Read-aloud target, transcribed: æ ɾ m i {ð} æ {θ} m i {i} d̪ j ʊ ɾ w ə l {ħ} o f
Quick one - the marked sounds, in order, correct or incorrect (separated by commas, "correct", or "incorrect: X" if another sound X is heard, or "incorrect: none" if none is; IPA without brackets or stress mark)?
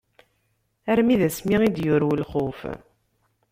correct, incorrect: s, correct, incorrect: χ